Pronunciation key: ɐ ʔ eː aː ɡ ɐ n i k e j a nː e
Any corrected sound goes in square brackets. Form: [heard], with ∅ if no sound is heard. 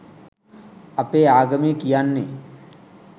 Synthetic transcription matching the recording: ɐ [p] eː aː ɡ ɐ [m] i k [i] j a nː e